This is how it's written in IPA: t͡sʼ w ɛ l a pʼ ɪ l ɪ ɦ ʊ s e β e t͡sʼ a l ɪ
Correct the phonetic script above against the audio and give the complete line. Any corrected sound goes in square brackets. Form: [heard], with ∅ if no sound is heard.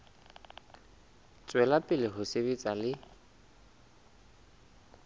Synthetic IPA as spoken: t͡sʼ w ɛ l a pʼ ɪ l ɪ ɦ ʊ s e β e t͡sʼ a l ɪ